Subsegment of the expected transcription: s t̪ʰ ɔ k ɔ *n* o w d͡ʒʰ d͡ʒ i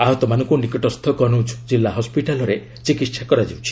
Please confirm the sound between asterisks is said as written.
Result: yes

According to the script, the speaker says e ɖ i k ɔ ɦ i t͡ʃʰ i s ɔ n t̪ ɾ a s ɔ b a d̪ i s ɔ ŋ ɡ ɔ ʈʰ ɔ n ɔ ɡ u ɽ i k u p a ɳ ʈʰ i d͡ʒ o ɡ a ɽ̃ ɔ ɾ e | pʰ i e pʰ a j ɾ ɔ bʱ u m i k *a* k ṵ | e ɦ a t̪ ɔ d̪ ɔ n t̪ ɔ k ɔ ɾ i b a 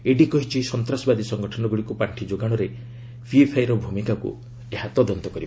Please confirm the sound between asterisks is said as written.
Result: yes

